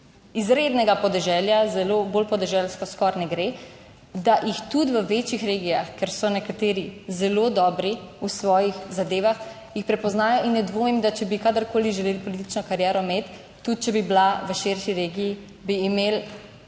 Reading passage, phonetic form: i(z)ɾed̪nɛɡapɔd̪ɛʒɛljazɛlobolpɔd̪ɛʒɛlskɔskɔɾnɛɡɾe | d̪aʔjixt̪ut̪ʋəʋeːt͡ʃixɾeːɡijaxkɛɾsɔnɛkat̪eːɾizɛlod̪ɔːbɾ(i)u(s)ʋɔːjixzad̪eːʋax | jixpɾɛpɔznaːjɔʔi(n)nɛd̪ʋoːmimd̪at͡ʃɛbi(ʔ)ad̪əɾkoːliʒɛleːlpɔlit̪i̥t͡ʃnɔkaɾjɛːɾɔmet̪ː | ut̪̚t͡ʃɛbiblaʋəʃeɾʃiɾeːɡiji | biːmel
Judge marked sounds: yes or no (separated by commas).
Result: yes, yes, yes, yes, no